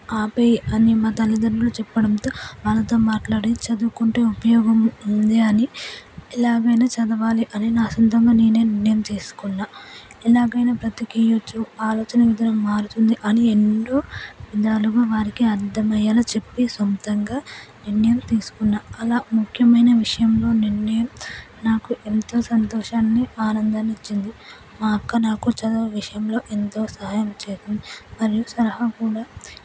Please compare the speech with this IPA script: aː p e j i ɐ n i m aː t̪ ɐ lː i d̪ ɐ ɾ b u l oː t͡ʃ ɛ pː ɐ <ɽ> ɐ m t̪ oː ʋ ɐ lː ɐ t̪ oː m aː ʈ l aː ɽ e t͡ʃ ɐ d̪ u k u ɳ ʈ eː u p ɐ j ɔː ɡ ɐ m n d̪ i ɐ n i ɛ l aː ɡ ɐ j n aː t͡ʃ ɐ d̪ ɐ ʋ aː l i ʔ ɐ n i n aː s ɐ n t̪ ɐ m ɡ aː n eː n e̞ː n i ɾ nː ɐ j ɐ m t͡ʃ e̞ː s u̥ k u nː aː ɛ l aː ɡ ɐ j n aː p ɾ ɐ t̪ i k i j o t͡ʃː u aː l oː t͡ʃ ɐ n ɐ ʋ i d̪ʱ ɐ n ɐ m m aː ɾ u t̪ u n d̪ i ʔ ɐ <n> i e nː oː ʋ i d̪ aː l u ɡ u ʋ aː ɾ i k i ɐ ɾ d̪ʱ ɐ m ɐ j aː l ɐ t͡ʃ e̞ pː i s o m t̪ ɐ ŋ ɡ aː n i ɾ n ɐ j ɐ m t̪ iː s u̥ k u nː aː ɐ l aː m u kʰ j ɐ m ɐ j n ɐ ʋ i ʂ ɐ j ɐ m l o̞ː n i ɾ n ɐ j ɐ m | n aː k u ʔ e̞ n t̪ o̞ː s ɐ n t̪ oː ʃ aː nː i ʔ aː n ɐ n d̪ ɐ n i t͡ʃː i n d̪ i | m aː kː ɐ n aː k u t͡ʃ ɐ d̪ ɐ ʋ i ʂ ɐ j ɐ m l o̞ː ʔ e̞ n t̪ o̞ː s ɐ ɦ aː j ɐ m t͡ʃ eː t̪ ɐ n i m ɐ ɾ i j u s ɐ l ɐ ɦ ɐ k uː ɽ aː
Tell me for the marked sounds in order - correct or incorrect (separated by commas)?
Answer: correct, correct